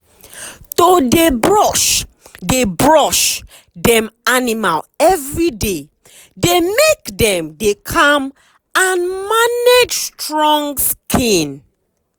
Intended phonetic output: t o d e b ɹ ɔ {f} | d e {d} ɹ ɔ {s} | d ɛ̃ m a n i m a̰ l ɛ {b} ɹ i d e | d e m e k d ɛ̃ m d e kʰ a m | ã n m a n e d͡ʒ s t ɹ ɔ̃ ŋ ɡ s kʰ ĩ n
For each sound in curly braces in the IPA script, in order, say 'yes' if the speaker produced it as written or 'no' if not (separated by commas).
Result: no, no, no, no